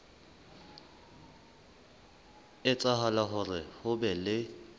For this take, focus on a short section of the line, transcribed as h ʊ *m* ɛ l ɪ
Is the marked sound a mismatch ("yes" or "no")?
yes